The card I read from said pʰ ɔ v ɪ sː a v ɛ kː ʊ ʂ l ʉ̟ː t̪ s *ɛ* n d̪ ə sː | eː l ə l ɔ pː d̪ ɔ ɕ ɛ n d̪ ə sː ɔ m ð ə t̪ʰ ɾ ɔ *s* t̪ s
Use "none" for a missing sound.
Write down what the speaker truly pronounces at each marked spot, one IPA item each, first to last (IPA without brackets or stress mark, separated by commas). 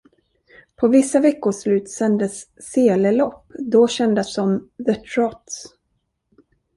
ɛ, none